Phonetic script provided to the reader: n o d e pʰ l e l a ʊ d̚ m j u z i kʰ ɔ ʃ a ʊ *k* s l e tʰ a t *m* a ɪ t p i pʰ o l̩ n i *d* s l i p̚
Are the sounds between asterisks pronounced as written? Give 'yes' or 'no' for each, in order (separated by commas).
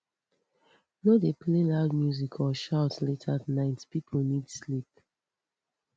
no, no, yes